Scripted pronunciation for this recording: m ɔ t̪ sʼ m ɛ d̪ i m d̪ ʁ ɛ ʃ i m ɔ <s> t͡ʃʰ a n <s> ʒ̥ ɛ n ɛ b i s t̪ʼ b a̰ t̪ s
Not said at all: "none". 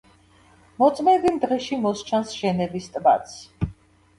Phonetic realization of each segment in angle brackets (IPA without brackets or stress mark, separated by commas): s, s